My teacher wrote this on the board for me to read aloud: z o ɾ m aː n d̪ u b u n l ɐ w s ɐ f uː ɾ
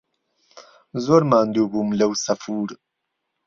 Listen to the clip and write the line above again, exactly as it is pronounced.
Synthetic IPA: z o ɾ m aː n d̪ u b u m l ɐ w s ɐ f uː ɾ